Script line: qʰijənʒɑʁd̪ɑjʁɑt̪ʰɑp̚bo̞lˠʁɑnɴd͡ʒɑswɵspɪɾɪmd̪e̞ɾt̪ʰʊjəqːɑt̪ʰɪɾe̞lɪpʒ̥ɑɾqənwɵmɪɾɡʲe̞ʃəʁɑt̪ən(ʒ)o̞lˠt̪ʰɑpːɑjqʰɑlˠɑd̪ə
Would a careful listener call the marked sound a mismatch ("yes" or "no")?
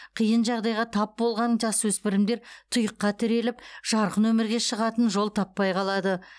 no